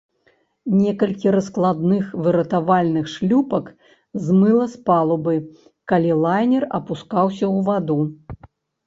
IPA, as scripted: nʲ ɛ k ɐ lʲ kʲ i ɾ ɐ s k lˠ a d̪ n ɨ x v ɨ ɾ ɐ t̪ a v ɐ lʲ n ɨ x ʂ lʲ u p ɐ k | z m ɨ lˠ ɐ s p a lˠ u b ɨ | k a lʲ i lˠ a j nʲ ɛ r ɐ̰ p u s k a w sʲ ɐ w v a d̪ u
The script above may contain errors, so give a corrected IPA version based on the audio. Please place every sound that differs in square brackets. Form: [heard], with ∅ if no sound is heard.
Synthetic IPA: nʲ ɛ k ɐ lʲ kʲ i ɾ ɐ s k lˠ a d̪ n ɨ x v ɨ ɾ ɐ t̪ a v [a] lʲ n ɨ x ʂ lʲ u p ɐ k | z m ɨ lˠ ɐ s p a lˠ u b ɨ | k a lʲ i lˠ a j nʲ ɛ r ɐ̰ p u s k a w sʲ ɐ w v a d̪ u